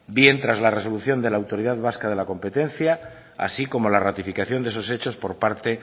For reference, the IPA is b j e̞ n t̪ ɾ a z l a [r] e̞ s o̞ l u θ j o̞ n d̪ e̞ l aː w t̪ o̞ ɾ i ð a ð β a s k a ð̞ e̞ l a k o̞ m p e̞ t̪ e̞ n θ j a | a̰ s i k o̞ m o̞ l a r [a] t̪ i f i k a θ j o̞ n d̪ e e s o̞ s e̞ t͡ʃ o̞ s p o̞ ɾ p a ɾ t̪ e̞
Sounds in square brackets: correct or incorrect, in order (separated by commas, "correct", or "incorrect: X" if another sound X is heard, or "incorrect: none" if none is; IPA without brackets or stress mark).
correct, correct